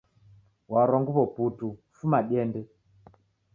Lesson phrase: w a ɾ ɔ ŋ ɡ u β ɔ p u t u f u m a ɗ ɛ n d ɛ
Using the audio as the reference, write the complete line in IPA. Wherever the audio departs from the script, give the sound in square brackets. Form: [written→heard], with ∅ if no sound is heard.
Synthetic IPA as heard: w a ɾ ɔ ŋ ɡ u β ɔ p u t u f u m a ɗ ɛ n d ɛ